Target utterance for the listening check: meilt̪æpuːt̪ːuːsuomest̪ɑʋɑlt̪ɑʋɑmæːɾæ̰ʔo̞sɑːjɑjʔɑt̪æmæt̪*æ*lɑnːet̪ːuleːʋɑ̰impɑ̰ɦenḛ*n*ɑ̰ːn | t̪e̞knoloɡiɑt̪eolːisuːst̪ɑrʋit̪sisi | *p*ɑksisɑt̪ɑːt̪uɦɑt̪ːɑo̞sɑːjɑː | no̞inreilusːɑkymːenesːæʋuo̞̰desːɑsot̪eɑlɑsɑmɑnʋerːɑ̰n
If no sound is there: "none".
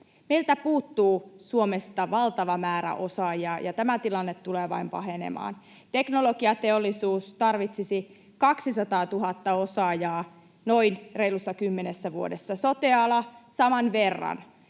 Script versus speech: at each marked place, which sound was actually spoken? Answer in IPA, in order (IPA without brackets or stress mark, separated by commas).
i, m, k